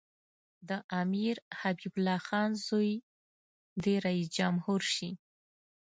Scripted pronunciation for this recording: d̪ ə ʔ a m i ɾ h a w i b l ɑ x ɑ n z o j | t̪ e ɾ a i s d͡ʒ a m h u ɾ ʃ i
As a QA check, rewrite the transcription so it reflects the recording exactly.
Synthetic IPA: d̪ ə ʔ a m i ɾ h a b i b l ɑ x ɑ n z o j | d̪ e ɾ a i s d͡ʒ a m h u ɾ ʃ i